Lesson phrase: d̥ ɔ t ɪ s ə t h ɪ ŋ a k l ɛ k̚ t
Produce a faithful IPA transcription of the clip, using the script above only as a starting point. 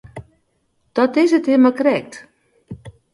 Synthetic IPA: d̥ ɔ t ɪ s ə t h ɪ m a k r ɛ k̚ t